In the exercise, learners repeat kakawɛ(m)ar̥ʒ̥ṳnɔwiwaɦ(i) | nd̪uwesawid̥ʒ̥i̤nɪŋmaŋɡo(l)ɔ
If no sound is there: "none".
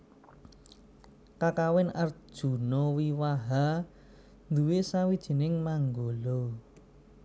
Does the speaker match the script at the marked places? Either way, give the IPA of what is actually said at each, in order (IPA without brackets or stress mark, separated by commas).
n, a, l